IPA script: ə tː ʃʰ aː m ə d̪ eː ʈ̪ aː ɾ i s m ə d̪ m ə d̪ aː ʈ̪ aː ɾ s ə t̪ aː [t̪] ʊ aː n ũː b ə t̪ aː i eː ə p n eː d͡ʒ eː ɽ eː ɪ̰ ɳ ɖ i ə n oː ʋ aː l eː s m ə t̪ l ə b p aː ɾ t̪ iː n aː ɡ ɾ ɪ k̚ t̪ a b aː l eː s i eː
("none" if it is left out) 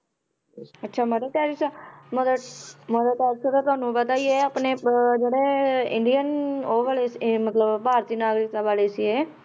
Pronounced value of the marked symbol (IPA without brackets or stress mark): t̪